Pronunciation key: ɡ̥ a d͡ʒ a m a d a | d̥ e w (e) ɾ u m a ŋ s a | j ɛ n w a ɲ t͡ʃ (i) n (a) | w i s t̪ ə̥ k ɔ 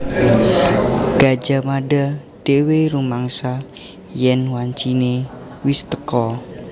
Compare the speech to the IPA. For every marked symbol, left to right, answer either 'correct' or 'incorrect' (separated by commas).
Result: correct, correct, incorrect